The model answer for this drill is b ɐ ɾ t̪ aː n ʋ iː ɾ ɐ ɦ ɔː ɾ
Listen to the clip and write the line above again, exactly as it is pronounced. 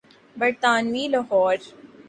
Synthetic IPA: b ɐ ɾ t̪ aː n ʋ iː l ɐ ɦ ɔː ɾ